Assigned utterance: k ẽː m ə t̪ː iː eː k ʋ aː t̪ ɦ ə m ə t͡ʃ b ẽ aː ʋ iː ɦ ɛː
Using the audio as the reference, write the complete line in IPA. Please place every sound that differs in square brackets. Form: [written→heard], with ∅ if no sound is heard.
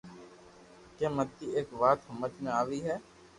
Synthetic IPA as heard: k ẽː m ə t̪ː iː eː k ʋ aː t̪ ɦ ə m ə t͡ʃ [b→m] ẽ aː ʋ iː ɦ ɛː